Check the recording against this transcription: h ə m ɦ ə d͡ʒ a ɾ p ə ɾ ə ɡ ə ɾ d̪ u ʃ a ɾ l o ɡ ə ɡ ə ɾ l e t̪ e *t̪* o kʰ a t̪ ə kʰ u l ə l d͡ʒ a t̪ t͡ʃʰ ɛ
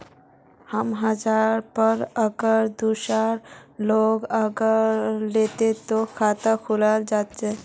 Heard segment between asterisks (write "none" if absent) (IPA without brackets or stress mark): t̪